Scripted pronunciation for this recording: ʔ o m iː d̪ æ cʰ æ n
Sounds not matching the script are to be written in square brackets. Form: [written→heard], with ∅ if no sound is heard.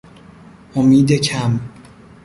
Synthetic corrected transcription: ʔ o m iː d̪ [æ→e] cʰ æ [n→m]